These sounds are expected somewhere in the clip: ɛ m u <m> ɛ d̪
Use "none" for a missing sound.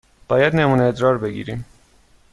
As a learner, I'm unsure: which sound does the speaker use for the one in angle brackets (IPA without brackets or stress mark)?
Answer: n